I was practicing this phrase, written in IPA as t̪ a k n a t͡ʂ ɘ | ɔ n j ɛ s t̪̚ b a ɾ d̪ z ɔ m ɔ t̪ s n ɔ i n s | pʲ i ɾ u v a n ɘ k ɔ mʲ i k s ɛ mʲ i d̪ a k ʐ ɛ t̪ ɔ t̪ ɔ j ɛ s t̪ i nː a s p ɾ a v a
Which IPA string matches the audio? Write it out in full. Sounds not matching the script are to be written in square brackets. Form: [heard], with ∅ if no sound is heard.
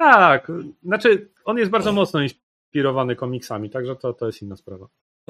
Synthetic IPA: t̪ a k n a t͡ʂ ɘ | ɔ n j ɛ s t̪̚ b a ɾ d̪ z ɔ m ɔ t̪ s n ɔ i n s | pʲ i ɾ [ɔ] v a n ɘ k ɔ mʲ i k s [a] mʲ i [t̪] a [ɡ] ʐ ɛ t̪ ɔ t̪ ɔ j ɛ s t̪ i nː a s p ɾ a v a